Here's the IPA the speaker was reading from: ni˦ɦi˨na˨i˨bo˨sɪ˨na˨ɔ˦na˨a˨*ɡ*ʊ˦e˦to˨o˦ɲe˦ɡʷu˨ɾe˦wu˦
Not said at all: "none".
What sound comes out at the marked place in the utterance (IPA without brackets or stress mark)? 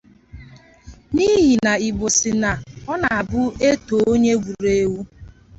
b